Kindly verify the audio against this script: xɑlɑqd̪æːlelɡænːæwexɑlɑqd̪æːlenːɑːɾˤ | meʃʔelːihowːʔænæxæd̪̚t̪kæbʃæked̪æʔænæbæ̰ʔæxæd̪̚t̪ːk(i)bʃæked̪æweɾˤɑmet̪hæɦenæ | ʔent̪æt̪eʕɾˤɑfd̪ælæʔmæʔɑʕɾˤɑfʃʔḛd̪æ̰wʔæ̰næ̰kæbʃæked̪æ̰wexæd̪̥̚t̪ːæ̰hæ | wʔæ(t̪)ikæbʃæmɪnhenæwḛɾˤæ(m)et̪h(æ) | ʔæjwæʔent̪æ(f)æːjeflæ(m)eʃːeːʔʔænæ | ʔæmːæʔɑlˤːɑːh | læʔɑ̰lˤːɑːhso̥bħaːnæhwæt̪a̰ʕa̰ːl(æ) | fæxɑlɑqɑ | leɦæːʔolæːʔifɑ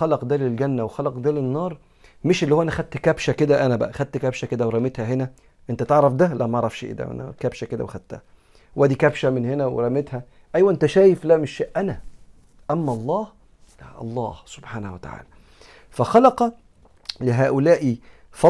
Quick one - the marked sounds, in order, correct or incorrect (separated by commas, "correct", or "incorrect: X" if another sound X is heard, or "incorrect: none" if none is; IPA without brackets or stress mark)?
incorrect: æ, incorrect: d̪, correct, correct, incorrect: ʃ, correct, correct